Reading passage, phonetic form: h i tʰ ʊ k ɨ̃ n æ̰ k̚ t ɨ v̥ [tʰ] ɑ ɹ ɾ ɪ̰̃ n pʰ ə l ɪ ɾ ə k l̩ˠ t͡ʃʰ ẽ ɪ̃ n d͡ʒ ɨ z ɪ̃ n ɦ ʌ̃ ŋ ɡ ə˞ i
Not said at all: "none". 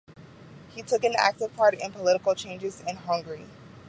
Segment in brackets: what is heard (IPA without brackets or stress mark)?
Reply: pʰ